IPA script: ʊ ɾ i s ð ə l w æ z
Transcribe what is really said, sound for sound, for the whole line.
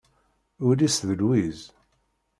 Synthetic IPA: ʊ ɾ i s ð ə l w i z

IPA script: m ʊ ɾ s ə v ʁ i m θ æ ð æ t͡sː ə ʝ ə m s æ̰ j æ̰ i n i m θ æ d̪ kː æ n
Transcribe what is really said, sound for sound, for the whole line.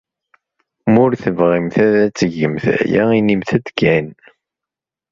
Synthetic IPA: m ʊ ɾ θ ə v ʁ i m θ æ ð æ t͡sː ə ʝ ə m θ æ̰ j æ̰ i n i m θ æ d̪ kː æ n

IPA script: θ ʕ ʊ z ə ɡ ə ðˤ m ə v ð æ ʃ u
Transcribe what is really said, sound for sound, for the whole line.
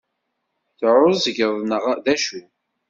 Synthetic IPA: θ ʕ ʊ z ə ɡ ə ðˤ n ə ʁ ð æ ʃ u

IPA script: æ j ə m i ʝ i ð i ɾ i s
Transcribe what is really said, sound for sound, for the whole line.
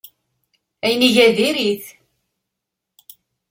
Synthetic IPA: æ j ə n i ʝ æ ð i ɾ i θ

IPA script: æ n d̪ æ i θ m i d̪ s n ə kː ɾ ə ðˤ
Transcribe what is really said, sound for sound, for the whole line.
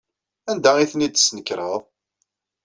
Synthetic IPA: æ n d̪ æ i θ n i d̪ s n ə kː ɾ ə ðˤ

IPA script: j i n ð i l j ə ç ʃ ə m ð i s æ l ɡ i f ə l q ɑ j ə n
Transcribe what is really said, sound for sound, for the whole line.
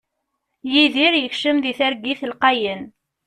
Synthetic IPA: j i ð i ɾ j ə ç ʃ ə m ð i θ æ ɾ ɡ i θ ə l q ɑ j ə n

